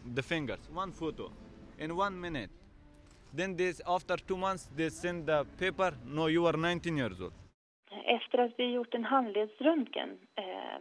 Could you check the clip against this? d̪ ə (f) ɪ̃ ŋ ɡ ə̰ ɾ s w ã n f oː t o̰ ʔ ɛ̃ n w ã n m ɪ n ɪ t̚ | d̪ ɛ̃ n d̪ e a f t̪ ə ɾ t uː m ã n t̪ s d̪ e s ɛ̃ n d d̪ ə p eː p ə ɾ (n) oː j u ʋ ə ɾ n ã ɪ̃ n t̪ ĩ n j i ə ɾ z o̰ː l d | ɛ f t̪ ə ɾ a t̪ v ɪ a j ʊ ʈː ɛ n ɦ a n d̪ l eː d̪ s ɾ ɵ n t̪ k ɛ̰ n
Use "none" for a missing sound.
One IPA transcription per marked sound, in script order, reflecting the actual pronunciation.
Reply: f, n

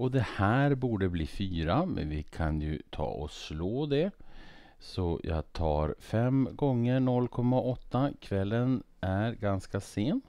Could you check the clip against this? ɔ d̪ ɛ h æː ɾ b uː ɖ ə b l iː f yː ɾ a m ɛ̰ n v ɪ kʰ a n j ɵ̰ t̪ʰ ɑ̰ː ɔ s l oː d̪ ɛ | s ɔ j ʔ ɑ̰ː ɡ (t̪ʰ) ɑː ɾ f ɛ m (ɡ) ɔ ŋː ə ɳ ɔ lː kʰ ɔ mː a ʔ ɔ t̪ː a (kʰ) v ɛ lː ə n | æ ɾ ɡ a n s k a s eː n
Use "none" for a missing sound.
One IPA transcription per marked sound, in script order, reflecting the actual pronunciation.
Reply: t̪ʰ, ɡ, kʰ

